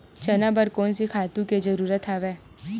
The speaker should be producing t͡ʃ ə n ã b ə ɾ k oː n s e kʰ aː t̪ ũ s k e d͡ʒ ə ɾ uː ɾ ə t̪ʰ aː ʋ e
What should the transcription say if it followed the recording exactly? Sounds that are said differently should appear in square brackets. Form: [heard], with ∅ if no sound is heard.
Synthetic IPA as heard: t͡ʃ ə n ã b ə ɾ k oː n s [i] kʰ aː t̪ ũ [∅] k e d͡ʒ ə ɾ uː ɾ ə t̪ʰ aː ʋ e